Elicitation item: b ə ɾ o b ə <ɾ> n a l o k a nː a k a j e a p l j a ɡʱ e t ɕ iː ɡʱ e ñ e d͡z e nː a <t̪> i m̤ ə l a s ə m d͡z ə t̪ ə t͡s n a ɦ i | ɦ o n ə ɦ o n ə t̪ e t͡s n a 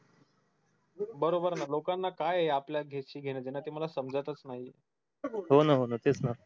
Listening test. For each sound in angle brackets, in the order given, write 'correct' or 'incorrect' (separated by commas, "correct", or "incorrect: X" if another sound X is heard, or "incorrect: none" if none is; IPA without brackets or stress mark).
correct, correct